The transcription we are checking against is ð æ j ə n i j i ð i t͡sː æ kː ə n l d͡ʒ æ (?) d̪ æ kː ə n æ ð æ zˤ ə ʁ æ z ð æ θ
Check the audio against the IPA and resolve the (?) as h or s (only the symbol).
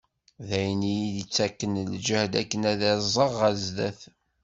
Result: h